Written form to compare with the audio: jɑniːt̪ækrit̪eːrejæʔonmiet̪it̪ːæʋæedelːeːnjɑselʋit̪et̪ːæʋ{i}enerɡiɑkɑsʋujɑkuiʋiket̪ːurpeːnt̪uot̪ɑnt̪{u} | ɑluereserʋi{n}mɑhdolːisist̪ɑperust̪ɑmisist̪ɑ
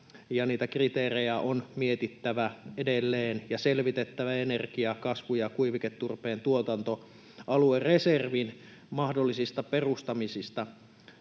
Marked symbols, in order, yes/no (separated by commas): no, no, yes